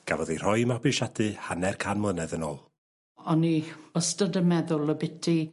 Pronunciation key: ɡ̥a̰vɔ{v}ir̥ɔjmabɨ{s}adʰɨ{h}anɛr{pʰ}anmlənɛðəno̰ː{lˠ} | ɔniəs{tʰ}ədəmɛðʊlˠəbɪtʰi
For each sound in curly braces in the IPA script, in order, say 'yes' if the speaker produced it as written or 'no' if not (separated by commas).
no, no, yes, no, yes, no